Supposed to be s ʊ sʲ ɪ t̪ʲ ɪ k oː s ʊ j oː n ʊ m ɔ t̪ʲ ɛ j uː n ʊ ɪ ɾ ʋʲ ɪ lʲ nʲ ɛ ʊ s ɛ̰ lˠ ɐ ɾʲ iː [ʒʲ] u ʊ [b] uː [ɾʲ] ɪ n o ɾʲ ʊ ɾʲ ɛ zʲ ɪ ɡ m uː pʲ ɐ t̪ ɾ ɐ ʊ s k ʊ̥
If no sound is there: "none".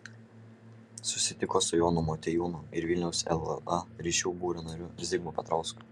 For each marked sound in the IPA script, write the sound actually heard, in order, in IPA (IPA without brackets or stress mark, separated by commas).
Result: ʃʲ, b, ɾʲ